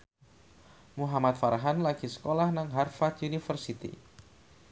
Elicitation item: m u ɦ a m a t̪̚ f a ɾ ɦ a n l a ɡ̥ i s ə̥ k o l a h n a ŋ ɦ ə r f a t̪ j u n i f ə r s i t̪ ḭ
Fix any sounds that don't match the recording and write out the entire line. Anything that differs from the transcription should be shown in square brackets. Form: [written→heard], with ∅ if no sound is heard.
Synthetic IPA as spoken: m u ɦ a m a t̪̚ f a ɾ ɦ a n l a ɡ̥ i s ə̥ k o l a h n a ŋ ɦ [ə→a] r f a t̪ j u n i f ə r s i t̪ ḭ